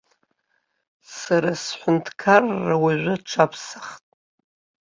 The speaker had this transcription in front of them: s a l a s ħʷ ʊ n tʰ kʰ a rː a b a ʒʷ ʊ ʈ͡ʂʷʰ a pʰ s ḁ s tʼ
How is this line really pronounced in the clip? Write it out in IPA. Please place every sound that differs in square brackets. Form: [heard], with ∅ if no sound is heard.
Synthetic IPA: s a [ɾ] a s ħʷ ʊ n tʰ kʰ a rː a [w] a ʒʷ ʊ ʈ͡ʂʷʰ a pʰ s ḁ [χ] tʼ